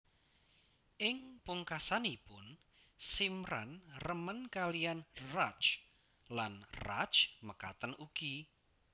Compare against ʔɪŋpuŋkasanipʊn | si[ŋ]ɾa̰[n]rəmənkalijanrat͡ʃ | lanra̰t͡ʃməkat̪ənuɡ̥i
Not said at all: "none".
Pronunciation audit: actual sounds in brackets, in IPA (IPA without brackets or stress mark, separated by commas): m, n